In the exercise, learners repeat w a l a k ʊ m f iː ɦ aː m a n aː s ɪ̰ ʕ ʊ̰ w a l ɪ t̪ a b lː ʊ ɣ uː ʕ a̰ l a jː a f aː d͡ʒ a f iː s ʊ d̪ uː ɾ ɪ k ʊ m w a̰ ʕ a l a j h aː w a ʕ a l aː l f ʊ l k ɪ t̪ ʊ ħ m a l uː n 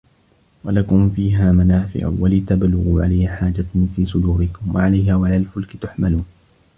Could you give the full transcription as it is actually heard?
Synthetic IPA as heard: w a l a k ʊ m f iː ɦ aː m a n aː f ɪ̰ ʕ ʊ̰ w a l ɪ t̪ a b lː ʊ ɣ uː ʕ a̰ l a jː a ħ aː d͡ʒ a f iː s ʊ d̪ uː ɾ ɪ k ʊ m w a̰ ʕ a l a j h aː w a ʕ a l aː l f ʊ l k ɪ t̪ ʊ ħ m a l uː n